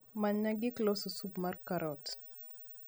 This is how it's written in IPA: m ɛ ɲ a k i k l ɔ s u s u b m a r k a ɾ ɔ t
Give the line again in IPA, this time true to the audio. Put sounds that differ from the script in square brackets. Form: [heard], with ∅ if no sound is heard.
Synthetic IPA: m [a] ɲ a [ɡ] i k l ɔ s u s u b m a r k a ɾ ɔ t